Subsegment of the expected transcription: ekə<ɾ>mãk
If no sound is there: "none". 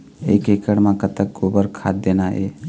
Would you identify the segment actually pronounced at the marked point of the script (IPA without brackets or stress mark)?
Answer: ɽ